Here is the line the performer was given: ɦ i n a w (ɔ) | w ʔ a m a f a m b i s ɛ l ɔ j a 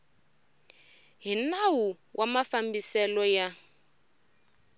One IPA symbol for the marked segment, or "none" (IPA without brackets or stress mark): u